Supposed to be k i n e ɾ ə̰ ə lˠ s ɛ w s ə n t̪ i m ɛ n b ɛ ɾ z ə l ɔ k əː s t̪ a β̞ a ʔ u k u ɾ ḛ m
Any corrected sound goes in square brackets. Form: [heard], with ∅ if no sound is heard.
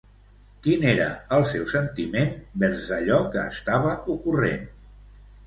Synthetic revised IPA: k i n e ɾ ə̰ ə lˠ s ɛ w s ə n t̪ i m [e] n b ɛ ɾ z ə [ʎ] ɔ k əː s t̪ a β̞ [ə] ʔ u k u [r] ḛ [n]